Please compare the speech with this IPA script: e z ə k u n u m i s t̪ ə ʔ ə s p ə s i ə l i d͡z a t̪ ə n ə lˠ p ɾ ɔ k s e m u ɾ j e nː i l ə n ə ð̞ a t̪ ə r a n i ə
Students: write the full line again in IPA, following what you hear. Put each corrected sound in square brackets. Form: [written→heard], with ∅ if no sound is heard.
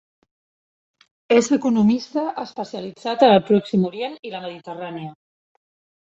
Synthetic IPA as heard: e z ə k u n u m i s t̪ ə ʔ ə s p ə s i ə l i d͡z a t̪ ə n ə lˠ p ɾ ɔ k s [e→i] m u ɾ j e [nː→n] i l ə [n→m] ə ð̞ [a→i] t̪ ə r a n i ə